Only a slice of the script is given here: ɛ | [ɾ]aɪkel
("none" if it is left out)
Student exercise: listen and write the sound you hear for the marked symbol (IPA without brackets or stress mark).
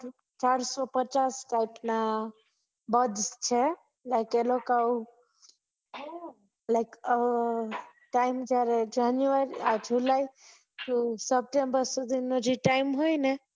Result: l